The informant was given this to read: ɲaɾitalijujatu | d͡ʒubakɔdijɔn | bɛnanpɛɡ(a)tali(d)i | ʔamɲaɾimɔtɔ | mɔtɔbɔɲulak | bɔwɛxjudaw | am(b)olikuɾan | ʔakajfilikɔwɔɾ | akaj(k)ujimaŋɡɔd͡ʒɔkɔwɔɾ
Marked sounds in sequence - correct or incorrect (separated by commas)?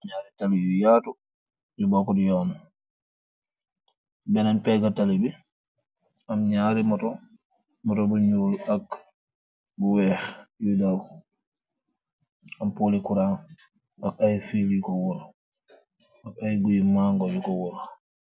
correct, incorrect, incorrect, incorrect